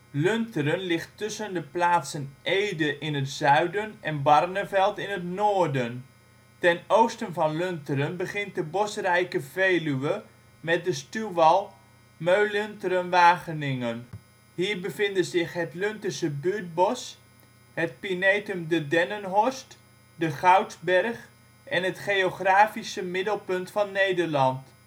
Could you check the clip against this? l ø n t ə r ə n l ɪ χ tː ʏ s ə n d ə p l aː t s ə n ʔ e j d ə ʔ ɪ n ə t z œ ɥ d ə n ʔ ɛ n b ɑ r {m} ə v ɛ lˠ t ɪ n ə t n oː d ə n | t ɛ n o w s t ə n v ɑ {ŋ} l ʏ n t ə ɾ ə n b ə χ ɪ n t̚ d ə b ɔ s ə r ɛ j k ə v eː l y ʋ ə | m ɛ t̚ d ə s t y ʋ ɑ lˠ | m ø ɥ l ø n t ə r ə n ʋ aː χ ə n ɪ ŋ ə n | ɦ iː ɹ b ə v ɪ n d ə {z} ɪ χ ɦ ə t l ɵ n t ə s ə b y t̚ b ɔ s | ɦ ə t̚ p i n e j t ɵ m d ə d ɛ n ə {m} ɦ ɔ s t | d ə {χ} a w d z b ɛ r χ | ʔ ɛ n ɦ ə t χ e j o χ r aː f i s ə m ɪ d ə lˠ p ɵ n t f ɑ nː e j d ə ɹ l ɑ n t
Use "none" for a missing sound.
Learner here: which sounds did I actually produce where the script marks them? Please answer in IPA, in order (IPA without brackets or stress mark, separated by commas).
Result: n, n, z, n, χ